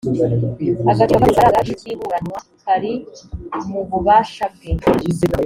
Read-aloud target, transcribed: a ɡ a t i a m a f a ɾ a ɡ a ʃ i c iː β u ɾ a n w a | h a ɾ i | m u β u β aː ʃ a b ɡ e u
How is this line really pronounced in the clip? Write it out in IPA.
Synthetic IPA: a ɡ a t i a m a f a ɾ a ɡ a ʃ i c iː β u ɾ a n w a | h a ɾ i | m u β u β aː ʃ a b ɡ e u